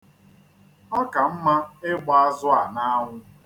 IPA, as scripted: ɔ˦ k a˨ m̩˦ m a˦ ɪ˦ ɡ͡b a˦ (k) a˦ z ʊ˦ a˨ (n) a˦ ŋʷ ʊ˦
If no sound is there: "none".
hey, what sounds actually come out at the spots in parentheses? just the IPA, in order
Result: none, n

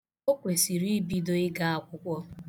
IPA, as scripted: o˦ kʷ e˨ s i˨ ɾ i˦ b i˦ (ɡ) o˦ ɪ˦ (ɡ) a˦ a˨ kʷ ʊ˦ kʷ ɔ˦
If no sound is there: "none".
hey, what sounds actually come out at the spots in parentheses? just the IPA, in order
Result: d, ɡ

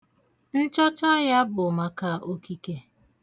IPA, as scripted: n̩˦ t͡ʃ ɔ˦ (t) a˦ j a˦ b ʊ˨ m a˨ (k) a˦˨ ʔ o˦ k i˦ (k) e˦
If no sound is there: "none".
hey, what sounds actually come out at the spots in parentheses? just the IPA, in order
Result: t͡ʃ, k, k

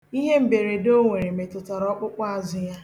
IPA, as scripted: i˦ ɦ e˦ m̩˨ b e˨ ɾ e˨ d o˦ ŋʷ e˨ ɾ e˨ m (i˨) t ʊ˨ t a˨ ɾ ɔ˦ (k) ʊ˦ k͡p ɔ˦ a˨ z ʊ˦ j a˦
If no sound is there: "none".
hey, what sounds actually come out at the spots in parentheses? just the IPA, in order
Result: e˨, k͡p

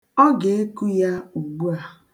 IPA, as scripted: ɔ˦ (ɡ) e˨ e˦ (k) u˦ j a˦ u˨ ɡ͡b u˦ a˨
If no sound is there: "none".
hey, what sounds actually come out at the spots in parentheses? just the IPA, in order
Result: ɡ, k

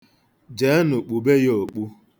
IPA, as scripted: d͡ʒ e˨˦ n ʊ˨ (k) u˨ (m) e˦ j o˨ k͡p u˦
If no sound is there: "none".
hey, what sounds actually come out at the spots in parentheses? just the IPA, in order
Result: k͡p, b

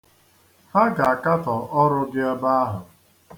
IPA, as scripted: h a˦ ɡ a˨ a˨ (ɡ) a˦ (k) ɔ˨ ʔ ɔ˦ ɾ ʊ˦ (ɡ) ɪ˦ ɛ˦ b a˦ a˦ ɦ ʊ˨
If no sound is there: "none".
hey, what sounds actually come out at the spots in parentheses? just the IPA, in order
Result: k, t, ɡ

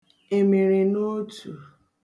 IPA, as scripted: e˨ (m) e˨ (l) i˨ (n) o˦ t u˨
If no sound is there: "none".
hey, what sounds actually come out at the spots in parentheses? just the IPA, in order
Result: m, ɾ, n

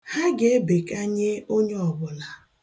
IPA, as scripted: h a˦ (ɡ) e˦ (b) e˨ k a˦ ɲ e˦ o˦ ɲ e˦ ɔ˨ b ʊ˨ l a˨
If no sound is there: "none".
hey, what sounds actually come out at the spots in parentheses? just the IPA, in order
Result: ɡ, b

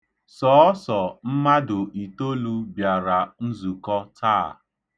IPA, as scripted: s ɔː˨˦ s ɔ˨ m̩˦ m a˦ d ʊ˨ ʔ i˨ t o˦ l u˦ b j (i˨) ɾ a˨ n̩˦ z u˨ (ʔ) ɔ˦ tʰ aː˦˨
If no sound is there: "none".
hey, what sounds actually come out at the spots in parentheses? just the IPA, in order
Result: a˨, k

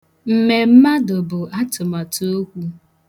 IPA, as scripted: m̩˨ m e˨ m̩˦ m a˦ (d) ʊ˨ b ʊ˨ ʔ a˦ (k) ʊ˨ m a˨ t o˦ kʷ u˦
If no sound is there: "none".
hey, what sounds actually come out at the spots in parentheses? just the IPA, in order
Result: d, t

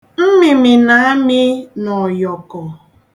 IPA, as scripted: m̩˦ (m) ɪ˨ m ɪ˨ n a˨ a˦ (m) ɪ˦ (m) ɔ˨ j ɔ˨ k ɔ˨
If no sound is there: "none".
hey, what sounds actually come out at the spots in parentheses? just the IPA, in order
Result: m, m, n

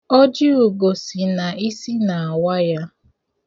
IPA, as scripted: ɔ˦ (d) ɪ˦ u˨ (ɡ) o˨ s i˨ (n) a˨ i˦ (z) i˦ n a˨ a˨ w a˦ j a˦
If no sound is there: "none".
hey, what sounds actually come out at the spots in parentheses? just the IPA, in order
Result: d͡ʒ, ɡ, n, s

